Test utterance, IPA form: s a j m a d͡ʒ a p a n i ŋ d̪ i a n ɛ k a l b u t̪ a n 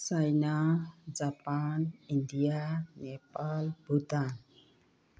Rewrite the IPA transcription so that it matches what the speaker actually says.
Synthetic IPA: s a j n a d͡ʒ a p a n i n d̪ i a n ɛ p a l b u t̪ a n